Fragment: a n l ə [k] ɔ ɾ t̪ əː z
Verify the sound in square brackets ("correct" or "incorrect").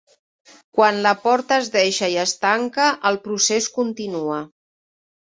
incorrect